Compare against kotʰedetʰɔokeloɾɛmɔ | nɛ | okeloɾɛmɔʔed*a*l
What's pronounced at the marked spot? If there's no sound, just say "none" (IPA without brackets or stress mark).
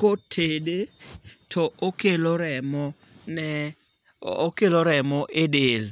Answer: e